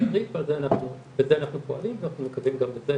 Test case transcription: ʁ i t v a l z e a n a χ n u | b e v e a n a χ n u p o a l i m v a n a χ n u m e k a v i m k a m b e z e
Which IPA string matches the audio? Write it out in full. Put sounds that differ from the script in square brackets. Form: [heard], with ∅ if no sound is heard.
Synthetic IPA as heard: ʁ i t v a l z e a n a χ n u | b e [z] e a n a χ n u p o a l i m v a n a χ n u m e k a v i m [ɡ] a m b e z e